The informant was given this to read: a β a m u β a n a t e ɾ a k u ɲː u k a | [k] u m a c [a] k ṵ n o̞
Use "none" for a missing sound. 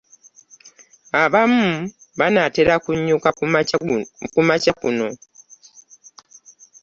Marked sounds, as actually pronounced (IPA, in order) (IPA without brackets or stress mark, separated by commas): k, a